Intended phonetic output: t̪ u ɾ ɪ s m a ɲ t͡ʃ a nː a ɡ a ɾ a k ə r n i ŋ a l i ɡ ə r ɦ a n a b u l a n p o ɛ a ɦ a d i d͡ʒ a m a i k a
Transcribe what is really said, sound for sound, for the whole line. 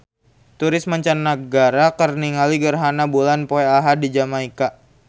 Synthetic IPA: t̪ u ɾ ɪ s m a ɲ t͡ʃ a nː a ɡ a ɾ a k ə r n i ŋ a l i ɡ ə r ɦ a n a b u l a n p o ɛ a ɦ a d i d͡ʒ a m a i k a